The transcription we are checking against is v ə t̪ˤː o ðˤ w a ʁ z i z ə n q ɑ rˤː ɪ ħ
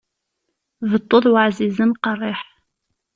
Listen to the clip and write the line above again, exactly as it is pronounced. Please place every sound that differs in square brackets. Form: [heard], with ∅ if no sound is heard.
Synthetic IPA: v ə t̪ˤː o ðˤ w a [ʕ] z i z ə n q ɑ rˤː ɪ ħ